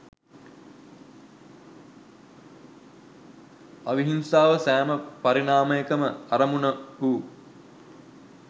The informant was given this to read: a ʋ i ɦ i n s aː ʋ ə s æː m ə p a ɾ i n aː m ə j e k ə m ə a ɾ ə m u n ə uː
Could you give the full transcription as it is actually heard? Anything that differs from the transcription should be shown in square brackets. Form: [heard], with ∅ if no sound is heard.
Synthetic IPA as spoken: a ʋ i ɦ i n s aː ʋ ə s æː m ə p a ɾ i n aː m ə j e k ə m ə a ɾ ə m u n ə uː